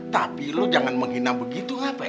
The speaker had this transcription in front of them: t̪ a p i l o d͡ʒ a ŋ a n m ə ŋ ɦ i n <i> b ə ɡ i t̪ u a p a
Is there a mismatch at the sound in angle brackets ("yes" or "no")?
yes